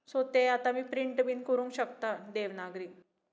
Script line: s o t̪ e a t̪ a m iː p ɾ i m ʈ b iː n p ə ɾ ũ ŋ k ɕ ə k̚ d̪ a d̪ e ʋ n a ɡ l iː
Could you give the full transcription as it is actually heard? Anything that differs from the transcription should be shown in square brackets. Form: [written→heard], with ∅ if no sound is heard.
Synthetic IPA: s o t̪ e a t̪ a m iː p ɾ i [m→ɳ] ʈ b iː n [p→k] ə ɾ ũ ŋ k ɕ ə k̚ [d̪→t̪] a d̪ e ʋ n a ɡ [l→ɾ] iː